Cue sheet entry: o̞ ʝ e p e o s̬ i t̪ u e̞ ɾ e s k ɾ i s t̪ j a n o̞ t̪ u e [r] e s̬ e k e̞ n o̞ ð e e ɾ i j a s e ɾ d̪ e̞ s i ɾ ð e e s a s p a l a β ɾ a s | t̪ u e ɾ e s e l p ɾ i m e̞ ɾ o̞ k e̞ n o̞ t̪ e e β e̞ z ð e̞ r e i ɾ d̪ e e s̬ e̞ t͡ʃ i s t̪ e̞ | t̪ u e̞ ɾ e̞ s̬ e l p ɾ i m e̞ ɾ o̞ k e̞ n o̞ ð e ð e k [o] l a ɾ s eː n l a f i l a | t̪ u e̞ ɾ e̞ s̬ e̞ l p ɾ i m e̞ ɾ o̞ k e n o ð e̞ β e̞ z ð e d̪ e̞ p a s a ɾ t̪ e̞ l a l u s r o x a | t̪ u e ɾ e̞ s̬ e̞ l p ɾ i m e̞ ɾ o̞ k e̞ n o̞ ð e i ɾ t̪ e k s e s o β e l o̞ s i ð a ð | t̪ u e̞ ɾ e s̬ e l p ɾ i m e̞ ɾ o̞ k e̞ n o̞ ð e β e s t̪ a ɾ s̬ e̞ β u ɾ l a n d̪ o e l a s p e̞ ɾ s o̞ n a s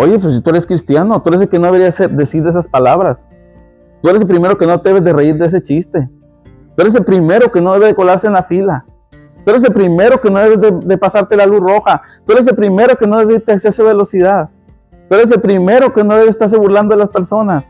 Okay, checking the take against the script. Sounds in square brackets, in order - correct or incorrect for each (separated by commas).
incorrect, correct